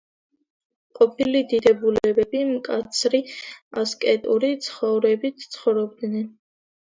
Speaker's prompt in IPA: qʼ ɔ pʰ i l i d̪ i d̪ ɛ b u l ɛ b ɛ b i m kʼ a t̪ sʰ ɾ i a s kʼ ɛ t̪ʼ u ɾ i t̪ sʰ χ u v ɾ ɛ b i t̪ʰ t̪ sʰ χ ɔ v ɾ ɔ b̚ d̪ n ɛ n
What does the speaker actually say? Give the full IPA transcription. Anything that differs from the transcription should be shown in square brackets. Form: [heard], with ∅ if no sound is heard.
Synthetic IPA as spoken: qʼ ɔ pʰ i l i d̪ i d̪ ɛ b u l ɛ b ɛ b i m kʼ a t̪ sʰ ɾ i a s kʼ ɛ t̪ʼ u ɾ i t̪ sʰ χ [ɔ] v ɾ ɛ b i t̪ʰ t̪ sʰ χ ɔ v ɾ ɔ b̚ d̪ n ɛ n